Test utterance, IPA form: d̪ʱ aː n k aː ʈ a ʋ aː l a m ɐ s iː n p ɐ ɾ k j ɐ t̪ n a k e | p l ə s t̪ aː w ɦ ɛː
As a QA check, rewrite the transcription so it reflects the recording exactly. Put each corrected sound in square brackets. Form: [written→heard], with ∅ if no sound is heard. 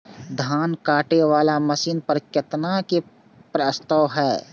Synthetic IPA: d̪ʱ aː n k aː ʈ [a→e] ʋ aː l a m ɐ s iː n p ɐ ɾ k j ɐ t̪ n a k e | p [l→ɾ] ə s t̪ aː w ɦ ɛː